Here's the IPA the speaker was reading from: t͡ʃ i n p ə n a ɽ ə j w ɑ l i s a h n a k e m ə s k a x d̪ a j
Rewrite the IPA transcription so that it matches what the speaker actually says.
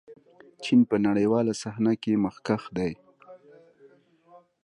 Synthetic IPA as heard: t͡ʃ i n p ə n a ɽ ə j w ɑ l a s a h n a k e m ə x k a x d̪ a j